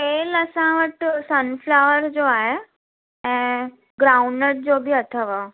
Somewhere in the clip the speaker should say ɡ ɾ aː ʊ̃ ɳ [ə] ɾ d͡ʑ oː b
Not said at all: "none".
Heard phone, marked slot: ə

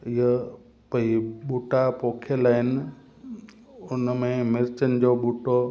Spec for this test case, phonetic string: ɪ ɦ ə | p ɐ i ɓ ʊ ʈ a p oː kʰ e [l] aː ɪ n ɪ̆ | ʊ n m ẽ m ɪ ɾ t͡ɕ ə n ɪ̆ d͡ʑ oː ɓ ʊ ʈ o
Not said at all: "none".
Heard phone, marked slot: l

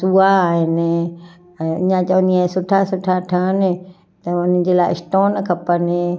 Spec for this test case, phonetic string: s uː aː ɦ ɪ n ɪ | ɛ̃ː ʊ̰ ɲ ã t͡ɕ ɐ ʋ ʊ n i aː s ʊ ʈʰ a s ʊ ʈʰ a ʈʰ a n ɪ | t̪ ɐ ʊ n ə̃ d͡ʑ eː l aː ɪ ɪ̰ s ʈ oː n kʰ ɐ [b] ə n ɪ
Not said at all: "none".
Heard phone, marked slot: p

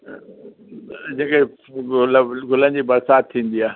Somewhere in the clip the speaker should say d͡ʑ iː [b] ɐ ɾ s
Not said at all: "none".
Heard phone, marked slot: b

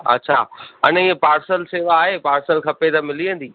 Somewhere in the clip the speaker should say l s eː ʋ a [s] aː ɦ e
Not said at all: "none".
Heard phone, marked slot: none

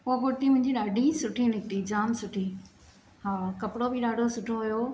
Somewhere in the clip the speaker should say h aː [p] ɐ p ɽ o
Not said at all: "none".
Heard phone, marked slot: k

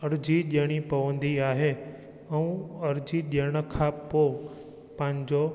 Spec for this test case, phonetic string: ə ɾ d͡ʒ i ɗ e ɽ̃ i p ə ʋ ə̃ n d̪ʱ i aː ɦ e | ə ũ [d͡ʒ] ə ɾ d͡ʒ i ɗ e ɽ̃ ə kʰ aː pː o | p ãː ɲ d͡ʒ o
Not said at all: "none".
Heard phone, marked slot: none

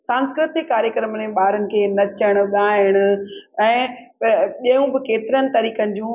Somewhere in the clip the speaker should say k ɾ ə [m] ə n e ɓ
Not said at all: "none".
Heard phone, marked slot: m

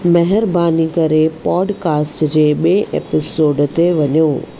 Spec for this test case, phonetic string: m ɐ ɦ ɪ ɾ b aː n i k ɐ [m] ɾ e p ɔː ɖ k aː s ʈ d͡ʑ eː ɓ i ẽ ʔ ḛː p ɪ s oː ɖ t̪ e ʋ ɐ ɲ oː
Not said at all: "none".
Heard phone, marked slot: none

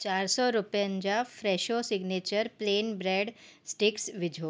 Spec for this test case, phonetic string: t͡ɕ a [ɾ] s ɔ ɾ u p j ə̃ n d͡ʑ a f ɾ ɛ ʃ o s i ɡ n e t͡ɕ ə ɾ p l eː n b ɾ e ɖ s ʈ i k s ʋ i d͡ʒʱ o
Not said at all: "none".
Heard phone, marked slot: ɾ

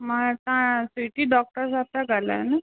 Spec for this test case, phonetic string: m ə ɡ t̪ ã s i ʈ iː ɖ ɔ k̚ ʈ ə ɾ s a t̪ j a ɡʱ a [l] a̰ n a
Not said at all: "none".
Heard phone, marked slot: l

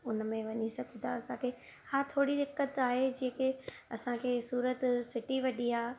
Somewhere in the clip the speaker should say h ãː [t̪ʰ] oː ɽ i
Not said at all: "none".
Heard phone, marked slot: t̪ʰ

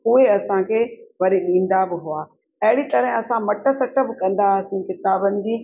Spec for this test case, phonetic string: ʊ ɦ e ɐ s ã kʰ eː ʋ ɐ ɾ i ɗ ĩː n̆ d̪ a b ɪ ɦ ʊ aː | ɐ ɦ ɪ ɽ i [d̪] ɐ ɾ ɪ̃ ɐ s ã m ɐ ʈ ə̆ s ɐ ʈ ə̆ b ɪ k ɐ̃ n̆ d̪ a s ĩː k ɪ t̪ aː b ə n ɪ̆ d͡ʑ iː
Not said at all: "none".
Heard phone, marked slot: t̪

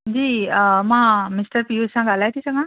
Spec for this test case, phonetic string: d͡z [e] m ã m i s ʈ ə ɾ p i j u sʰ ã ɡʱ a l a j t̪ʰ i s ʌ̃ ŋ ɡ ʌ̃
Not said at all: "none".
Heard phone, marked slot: i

